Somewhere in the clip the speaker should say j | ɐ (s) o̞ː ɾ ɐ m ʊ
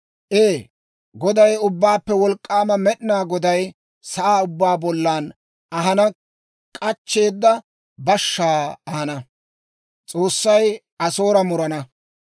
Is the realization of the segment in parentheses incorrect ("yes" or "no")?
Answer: no